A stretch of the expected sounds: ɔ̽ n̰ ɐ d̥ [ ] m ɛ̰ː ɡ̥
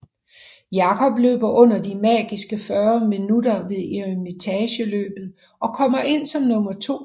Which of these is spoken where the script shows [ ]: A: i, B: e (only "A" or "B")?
A